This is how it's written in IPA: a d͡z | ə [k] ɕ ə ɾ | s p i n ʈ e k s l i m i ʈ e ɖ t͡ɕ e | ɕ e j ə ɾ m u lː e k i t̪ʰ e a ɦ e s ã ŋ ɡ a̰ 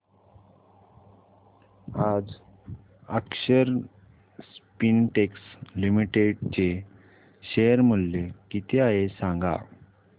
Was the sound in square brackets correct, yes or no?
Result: yes